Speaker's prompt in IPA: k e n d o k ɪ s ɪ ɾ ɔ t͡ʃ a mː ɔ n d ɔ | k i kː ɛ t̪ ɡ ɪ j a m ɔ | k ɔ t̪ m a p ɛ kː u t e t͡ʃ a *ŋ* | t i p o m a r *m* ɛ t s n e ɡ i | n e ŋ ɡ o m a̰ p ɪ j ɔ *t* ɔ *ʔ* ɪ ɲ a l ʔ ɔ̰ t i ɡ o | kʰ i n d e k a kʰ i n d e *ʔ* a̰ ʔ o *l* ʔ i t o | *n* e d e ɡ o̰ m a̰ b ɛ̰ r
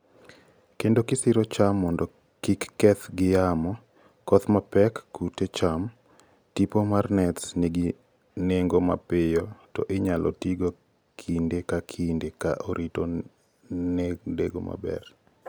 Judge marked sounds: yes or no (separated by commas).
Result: no, no, yes, yes, no, no, yes